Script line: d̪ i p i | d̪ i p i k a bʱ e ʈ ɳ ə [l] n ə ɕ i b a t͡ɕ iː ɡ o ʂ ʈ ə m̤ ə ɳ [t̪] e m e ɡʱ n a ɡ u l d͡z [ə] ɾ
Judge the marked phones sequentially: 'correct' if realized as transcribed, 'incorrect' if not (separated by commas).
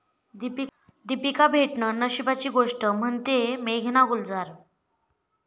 incorrect, correct, incorrect